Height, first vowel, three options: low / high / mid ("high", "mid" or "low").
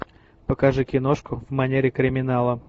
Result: mid